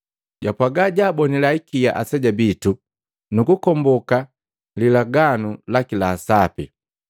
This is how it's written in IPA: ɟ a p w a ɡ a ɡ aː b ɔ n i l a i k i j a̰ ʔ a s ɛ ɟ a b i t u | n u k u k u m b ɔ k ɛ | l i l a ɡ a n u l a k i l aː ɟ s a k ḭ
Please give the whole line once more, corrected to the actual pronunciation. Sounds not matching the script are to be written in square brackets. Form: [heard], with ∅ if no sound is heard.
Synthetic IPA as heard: ɟ a p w a ɡ a [ɟ] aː b ɔ n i l a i k i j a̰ ʔ a s ɛ ɟ a b i t u | n u k u k [ɔ] m b ɔ k [a] | l i l a ɡ a n u l a k i l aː [∅] s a [p] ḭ